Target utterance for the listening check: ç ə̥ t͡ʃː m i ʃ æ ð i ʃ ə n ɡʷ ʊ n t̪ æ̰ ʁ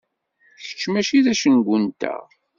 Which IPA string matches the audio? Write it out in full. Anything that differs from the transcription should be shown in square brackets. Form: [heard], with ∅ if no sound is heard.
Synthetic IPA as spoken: ç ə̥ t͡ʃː m [æ] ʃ [i] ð [æ] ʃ ə n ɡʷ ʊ n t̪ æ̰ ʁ